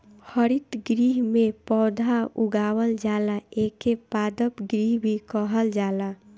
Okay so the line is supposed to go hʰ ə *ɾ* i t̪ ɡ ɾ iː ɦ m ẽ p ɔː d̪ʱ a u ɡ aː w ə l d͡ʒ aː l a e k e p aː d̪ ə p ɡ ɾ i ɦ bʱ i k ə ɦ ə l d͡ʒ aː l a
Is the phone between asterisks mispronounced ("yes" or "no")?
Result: no